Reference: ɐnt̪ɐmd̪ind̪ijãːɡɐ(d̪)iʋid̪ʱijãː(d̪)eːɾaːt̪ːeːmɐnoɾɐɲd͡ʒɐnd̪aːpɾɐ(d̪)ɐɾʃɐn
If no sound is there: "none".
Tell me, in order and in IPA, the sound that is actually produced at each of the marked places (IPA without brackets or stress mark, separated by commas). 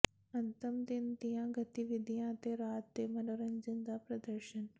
t̪, t̪, d̪